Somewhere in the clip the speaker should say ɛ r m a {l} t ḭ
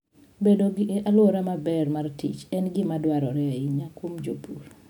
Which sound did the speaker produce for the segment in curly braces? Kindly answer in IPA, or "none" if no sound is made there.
r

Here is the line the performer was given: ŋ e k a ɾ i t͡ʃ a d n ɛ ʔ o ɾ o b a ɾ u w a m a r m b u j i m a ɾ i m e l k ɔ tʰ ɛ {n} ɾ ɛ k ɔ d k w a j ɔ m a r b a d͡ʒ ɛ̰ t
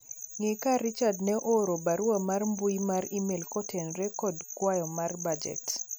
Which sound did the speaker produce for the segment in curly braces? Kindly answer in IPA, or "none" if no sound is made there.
n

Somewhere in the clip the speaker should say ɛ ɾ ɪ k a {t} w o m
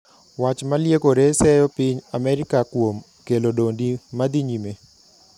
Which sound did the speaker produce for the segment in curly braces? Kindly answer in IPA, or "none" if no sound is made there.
k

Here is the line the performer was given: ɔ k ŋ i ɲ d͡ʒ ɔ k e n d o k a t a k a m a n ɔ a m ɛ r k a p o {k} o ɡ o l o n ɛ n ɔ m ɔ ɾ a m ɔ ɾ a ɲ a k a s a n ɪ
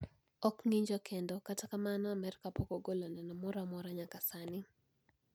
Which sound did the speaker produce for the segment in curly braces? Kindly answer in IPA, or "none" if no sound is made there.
k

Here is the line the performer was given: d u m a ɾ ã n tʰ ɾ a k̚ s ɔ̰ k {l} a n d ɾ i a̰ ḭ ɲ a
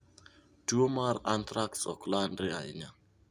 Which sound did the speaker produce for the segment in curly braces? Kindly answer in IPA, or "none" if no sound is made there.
l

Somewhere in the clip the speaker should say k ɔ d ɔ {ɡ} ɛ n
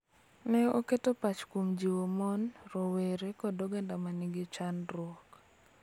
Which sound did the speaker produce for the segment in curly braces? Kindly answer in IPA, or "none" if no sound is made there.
ɡ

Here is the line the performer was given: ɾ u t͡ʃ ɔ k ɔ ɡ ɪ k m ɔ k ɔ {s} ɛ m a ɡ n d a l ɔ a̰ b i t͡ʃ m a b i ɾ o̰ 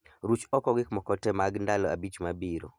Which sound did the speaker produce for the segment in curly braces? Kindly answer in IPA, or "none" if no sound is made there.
t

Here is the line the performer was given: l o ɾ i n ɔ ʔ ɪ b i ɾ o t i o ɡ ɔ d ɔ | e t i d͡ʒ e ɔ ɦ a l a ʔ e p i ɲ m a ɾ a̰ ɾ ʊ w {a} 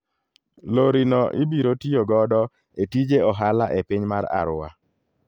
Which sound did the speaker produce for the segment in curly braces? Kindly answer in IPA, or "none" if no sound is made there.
a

